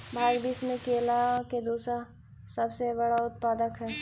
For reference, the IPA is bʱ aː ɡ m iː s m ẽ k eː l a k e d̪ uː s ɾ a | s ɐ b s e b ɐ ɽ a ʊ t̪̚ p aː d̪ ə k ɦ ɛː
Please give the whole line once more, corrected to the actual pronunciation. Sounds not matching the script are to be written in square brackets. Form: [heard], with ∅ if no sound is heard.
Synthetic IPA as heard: bʱ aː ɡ [b] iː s m ẽ k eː l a k e d̪ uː s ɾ a | s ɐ b s e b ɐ ɽ a ʊ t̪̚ p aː d̪ ə k ɦ ɛː